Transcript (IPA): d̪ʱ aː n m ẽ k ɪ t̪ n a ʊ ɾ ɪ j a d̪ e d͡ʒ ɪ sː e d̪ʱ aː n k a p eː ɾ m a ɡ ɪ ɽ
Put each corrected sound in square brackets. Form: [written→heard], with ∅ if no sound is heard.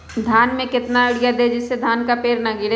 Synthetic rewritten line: d̪ʱ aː n m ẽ k ɪ t̪ n a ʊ [ɾ→ɽ] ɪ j a d̪ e d͡ʒ ɪ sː e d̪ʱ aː n k a p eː ɾ [m→n] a ɡ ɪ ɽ